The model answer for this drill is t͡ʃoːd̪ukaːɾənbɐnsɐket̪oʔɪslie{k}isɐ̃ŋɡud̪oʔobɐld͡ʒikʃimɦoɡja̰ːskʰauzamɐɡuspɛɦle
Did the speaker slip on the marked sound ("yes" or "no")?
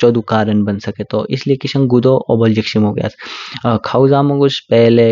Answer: no